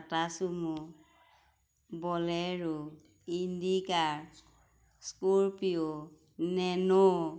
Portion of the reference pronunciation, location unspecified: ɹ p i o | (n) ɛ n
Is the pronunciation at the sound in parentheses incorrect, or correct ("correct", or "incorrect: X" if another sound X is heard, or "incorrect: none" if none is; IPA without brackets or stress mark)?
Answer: correct